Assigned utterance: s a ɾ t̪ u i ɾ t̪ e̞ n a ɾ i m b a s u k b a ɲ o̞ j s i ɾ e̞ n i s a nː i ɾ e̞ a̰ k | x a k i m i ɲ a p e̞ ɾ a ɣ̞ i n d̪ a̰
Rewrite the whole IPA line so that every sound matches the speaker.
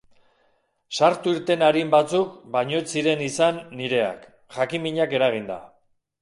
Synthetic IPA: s a ɾ t̪ u i ɾ t̪ e̞ n a ɾ i m b a t͡s u k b a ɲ o̞ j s i ɾ e̞ n i s a nː i ɾ e̞ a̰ k | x a k i m i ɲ a k e̞ ɾ a ɣ̞ i n d̪ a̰